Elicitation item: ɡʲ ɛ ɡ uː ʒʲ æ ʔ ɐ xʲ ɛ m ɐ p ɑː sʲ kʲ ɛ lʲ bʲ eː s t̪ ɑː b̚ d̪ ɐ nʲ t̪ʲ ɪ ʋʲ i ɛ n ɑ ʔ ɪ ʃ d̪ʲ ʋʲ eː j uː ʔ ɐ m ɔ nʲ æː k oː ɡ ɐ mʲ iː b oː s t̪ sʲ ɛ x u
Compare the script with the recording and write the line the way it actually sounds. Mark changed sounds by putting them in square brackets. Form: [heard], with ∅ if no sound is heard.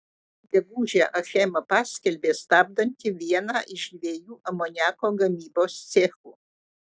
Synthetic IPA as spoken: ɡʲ ɛ ɡ uː ʒʲ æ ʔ ɐ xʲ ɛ m ɐ p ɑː sʲ kʲ ɛ lʲ bʲ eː s t̪ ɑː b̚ d̪ ɐ nʲ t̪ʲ ɪ ʋʲ i ɛ n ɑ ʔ ɪ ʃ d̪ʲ ʋʲ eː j uː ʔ ɐ m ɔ nʲ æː k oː ɡ ɐ mʲ iː b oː s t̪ sʲ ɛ x u